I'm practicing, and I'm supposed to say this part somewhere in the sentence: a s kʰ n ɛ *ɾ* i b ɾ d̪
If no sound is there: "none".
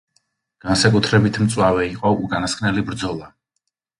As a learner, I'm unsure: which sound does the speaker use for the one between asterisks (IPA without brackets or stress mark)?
l